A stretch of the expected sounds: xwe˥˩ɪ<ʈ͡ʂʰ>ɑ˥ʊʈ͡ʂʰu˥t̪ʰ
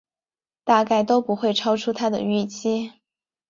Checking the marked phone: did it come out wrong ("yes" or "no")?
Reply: no